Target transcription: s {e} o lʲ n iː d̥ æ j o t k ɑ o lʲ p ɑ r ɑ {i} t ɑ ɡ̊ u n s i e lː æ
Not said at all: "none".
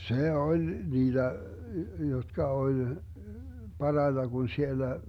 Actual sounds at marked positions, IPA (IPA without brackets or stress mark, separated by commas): e, i